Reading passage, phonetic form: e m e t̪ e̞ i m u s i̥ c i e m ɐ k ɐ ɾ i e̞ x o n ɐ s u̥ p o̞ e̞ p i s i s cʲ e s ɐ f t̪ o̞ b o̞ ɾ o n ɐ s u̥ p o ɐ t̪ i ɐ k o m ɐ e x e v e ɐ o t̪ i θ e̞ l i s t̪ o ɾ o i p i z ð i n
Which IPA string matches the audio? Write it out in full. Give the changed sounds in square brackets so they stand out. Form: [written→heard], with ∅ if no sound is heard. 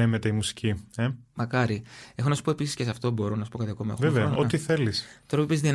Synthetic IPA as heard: e m e t̪ e̞ i m u s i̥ c i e m ɐ k ɐ ɾ i e̞ x o n ɐ s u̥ p o̞ e̞ p i s i s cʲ e s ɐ f t̪ o̞ b o̞ ɾ o n ɐ s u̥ p o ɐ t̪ i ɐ k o m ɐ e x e v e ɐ o t̪ i θ e̞ l i s t̪ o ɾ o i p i z ð i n